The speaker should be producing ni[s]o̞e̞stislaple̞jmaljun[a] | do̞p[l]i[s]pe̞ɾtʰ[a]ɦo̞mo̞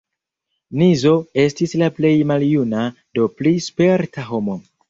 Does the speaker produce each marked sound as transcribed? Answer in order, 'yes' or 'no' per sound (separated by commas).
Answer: no, yes, yes, yes, yes